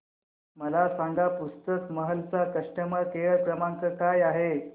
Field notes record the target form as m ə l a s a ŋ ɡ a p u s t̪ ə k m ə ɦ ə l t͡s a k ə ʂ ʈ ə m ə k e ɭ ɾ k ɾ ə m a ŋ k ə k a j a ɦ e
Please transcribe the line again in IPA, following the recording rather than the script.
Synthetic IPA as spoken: m ə l a s a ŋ ɡ a p u s t̪ ə k m ə ɦ ə l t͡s a k ə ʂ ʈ ə m ə k e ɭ ɭ k ɾ ə m a ŋ k ə k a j a ɦ e